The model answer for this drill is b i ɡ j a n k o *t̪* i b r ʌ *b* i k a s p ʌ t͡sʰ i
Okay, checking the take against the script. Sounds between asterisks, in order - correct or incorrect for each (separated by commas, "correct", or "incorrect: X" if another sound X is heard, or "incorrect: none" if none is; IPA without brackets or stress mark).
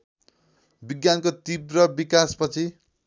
correct, correct